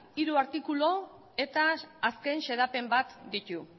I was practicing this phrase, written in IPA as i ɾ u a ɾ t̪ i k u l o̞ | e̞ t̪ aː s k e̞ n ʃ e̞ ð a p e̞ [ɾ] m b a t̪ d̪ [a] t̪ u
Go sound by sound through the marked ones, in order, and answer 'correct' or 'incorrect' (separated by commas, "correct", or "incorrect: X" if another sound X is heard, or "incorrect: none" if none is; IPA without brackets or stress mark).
incorrect: none, incorrect: i